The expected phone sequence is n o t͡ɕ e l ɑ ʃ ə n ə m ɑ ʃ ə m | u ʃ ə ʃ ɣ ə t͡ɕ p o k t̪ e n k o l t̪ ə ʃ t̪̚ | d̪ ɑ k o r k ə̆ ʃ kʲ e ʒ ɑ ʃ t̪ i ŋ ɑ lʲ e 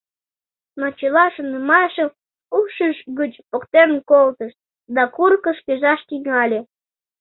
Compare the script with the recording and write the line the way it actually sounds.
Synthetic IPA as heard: n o t͡ɕ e l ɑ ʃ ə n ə m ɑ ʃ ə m | u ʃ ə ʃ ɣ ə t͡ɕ p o k t̪ e n k o l t̪ ə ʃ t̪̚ | d̪ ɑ k u r k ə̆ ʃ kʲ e ʒ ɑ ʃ t̪ i ŋ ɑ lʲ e